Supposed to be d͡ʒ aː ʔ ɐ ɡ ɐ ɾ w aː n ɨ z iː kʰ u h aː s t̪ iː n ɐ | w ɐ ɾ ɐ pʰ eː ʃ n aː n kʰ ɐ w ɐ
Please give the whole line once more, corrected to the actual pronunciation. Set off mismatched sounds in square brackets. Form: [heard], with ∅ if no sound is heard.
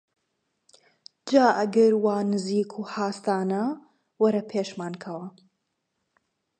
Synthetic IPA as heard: d͡ʒ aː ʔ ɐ ɡ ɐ ɾ w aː n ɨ z iː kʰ u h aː s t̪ [aː] n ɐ | w ɐ ɾ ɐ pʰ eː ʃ [m] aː n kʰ ɐ w ɐ